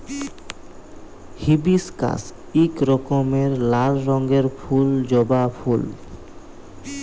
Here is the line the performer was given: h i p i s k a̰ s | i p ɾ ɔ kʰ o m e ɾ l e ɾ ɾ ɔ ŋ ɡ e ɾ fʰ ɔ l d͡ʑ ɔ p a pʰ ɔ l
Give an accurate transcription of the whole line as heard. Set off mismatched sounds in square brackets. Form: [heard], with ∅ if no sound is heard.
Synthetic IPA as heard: h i [b] i s k a̰ s | i [k] ɾ ɔ [k] o m e ɾ l [a] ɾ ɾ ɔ ŋ ɡ e ɾ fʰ [u] l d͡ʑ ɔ [b] a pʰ [u] l